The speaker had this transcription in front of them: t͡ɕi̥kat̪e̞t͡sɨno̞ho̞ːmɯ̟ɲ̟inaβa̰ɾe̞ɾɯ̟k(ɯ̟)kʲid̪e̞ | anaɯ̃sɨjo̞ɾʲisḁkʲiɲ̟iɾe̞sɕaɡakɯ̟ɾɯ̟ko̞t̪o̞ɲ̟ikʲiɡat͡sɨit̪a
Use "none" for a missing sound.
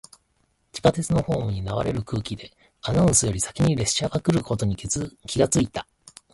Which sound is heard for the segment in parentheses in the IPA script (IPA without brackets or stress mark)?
ɯ̟ː